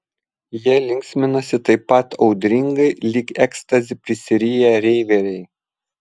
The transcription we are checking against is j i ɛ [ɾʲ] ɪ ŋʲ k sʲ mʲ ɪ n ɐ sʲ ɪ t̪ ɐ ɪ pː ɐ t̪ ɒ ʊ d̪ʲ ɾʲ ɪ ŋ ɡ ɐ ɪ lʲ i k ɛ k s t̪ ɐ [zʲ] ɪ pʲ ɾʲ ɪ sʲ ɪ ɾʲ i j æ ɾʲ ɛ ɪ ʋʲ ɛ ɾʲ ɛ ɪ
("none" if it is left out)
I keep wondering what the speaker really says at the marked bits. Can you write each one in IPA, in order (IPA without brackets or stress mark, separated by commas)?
lʲ, zʲ